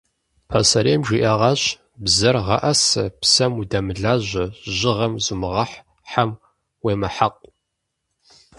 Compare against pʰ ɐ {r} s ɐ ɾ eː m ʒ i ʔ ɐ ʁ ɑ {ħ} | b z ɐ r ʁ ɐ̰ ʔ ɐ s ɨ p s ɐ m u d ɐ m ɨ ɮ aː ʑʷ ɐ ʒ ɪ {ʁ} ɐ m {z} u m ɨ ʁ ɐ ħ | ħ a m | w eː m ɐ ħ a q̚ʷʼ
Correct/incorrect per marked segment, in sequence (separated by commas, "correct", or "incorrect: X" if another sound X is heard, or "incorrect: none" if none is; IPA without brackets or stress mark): incorrect: none, incorrect: ɕ, correct, correct